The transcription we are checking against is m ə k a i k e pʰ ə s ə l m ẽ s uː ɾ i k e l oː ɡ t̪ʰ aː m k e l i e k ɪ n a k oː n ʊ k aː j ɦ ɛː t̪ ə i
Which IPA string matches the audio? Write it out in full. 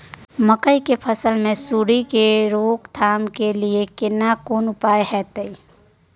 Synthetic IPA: m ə k ə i k e pʰ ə s ə l m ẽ s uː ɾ i k e ɾ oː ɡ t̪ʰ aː m k e l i e k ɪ n a k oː n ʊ p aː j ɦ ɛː t̪ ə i